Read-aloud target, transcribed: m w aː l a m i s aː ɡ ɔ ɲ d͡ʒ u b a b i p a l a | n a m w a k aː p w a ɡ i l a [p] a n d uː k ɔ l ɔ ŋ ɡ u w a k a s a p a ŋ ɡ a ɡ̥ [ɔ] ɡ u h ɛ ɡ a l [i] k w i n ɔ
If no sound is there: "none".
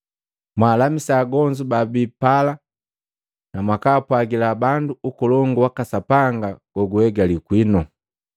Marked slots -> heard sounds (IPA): b, ɔ, i

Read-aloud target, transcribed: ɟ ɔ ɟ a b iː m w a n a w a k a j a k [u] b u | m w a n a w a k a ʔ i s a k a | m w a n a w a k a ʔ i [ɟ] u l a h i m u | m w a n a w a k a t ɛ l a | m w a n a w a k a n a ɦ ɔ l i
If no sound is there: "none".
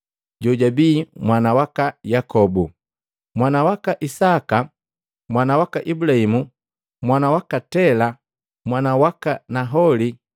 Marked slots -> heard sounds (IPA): ɔ, b

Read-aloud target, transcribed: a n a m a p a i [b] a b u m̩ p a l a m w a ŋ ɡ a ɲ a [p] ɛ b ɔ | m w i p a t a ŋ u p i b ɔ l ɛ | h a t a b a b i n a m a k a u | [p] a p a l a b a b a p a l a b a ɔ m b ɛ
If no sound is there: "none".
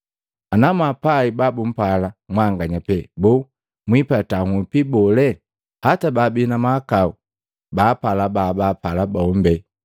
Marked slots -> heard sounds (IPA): b, p, b

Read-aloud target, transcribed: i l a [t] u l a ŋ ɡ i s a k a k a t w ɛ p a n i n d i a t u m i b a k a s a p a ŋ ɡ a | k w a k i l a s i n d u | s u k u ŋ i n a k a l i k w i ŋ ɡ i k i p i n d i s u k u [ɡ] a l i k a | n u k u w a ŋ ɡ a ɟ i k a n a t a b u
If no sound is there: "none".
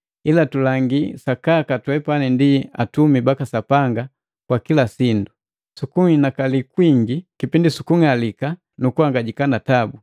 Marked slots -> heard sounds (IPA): t, ŋ

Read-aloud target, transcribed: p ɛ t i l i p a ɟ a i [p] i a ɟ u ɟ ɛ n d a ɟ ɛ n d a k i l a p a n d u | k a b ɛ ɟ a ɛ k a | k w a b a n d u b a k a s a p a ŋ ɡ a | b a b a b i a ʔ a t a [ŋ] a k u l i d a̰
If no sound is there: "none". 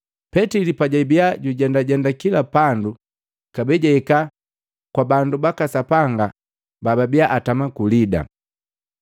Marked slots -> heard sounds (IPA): b, m

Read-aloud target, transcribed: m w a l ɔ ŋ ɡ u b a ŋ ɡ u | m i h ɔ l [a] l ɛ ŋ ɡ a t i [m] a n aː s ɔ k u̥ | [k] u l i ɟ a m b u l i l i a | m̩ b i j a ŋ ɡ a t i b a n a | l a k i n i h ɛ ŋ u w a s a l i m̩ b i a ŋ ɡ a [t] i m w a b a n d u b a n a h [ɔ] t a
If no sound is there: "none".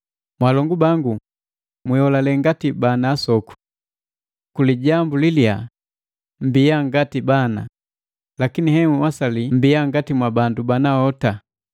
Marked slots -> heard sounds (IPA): a, b, k, t, ɔ

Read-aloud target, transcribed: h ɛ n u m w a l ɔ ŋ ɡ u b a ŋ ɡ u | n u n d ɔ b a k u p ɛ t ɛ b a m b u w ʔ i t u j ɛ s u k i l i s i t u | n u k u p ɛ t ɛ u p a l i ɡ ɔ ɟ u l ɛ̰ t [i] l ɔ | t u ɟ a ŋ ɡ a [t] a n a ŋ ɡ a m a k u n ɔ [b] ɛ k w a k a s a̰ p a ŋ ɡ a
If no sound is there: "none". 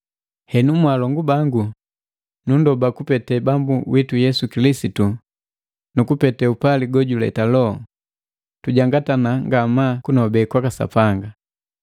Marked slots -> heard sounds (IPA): a, t, b

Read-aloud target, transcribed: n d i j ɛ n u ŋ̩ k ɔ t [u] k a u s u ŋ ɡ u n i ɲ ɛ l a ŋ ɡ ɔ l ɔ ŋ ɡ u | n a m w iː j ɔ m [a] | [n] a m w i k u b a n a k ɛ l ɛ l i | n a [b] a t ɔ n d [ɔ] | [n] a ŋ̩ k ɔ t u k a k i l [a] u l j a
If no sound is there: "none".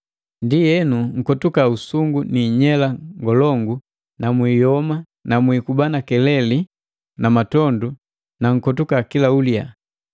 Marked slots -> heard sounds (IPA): u, a, n, m, u, n, a

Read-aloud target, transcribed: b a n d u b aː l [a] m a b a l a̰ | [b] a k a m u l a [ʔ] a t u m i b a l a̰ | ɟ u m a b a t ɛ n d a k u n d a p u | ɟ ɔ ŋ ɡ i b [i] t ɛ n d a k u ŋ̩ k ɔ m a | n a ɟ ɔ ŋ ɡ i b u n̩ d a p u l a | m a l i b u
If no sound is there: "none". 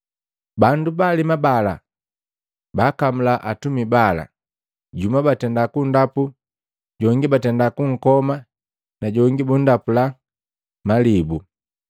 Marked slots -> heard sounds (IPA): i, b, ʔ, a

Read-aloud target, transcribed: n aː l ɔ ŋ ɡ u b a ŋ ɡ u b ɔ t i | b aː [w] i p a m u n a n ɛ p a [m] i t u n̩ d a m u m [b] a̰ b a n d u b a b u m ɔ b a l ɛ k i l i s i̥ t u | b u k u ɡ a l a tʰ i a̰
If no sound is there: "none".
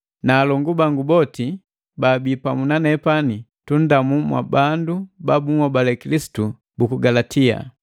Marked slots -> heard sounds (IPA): b, n, w

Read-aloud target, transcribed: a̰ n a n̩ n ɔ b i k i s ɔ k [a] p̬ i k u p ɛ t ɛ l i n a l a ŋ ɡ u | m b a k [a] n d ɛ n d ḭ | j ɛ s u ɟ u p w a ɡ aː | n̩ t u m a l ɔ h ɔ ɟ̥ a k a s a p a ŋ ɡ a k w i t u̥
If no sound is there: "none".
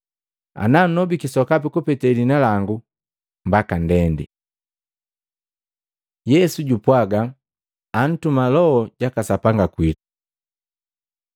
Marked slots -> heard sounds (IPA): a, a

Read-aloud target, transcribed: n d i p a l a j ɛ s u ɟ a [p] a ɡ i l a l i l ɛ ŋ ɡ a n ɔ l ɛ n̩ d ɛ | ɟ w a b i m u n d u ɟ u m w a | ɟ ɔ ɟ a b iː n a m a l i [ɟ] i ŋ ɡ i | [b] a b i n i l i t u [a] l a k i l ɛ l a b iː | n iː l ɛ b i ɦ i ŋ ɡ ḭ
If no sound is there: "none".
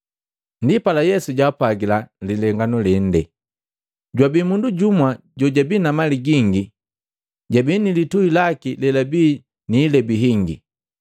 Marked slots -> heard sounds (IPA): p, ɡ, ɟ, i

